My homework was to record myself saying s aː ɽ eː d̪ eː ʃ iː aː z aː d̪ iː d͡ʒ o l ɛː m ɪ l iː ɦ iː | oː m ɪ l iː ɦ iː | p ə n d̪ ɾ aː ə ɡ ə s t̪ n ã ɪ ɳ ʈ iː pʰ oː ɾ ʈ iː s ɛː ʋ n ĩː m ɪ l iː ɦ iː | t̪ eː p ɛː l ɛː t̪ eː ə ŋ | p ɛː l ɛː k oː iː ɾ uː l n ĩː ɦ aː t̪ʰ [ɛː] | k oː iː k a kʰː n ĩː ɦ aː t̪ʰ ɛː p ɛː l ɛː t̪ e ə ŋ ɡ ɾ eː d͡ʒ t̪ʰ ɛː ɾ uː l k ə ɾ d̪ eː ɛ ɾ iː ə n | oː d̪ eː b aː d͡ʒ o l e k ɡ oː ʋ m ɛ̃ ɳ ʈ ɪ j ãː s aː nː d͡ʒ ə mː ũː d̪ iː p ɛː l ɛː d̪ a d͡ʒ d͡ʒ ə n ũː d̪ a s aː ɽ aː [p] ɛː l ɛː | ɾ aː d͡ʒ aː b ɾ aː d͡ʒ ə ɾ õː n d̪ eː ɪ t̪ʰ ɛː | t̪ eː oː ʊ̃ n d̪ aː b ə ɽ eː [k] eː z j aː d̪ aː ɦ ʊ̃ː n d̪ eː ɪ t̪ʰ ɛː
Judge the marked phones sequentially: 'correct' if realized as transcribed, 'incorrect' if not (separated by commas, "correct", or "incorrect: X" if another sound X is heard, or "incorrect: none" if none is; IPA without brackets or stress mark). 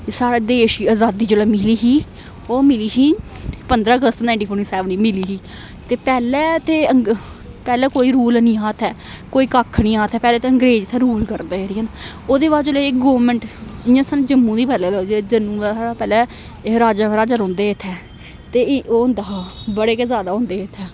correct, correct, correct